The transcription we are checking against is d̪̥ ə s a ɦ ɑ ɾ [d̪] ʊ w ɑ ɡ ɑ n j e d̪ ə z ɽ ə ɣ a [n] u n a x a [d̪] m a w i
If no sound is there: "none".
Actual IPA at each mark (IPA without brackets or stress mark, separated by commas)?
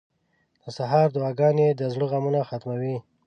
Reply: d̪, m, t̪